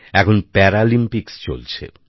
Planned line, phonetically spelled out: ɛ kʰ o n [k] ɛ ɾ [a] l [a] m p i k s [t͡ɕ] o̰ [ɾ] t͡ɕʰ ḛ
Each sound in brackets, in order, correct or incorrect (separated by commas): incorrect, correct, incorrect, correct, incorrect